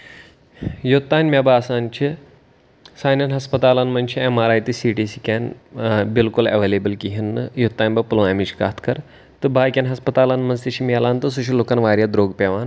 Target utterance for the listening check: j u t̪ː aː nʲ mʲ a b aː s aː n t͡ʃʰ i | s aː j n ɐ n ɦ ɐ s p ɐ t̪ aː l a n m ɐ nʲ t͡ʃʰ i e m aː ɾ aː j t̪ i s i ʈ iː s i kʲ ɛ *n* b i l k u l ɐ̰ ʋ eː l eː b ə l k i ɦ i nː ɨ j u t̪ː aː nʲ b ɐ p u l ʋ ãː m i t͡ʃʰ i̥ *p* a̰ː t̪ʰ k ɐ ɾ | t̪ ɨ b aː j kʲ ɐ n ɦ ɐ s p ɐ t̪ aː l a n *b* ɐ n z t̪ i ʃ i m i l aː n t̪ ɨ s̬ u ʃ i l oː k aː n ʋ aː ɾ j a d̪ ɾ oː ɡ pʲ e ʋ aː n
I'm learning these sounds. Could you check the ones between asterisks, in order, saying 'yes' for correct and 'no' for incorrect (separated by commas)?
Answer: yes, no, no